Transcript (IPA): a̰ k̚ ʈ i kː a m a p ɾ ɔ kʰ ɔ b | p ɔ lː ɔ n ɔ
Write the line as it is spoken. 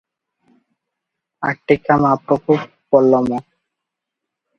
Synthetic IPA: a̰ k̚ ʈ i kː a m a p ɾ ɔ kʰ u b | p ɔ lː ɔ m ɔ